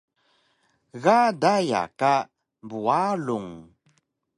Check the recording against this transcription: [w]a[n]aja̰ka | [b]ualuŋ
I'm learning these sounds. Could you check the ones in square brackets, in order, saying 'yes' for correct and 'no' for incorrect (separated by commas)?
no, no, yes